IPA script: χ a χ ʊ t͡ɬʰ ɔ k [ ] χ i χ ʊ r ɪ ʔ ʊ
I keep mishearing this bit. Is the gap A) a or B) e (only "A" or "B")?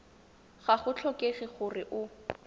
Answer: B